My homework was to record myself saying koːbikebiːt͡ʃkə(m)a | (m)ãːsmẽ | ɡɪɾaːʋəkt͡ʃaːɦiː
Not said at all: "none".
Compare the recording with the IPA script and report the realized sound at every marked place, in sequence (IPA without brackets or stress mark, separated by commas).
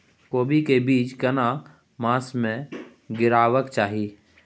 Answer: n, m